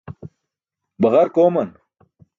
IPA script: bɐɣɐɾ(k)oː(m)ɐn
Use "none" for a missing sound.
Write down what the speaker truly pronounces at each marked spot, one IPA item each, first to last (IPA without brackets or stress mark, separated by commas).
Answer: k, m